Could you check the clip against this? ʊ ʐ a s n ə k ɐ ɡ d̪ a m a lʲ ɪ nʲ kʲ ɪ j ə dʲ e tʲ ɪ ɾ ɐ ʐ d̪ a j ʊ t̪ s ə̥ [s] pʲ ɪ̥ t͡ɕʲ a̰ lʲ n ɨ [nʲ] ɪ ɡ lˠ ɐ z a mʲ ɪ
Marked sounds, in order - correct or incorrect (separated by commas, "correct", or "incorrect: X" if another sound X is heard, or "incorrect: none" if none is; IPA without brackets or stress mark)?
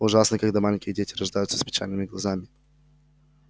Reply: correct, incorrect: mʲ